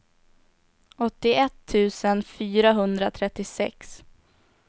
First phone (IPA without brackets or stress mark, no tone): ɔ